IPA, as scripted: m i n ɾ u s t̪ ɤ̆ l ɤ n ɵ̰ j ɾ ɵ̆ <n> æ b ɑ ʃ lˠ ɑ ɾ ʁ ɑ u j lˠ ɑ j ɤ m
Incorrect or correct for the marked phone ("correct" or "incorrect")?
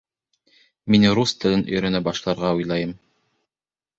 correct